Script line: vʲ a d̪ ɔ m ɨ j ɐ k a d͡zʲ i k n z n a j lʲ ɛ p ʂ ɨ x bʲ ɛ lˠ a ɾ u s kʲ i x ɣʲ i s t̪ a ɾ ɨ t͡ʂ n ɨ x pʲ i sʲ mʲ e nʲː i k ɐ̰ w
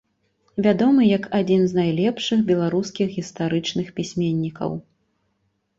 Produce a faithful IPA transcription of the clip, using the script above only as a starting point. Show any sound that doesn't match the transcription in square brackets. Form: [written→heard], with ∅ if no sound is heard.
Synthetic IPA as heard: vʲ a d̪ ɔ m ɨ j ɐ k a d͡zʲ i [k→∅] n z n a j lʲ ɛ p ʂ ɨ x bʲ ɛ lˠ a ɾ u s kʲ i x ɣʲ i s t̪ a ɾ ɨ t͡ʂ n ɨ x pʲ i sʲ mʲ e nʲː i k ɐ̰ w